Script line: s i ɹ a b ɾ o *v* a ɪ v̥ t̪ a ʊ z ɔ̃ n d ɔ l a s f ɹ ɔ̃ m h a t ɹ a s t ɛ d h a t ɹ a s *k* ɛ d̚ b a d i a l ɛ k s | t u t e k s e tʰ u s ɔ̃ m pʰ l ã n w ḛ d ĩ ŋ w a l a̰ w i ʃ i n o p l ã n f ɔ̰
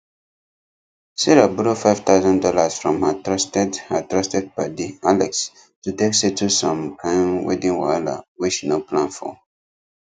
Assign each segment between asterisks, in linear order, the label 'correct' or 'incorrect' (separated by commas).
incorrect, incorrect